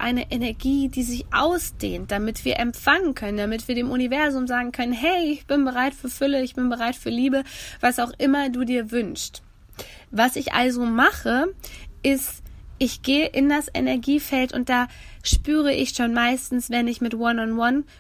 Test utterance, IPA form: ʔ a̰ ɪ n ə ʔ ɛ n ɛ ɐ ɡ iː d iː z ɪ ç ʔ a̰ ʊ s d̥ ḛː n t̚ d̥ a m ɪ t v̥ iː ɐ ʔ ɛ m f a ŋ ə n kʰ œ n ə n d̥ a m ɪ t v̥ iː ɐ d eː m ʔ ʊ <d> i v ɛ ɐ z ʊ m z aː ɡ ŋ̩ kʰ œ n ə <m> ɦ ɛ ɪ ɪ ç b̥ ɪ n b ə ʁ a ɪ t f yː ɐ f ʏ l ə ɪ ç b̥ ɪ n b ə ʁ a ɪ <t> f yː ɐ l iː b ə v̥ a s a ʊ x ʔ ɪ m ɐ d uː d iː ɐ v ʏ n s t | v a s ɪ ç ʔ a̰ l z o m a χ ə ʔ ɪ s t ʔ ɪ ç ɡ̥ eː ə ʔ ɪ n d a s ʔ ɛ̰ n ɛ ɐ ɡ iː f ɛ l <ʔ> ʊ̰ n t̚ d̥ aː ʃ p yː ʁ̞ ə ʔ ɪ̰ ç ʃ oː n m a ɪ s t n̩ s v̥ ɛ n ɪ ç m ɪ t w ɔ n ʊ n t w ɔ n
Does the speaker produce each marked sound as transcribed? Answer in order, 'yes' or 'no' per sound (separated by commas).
no, no, yes, no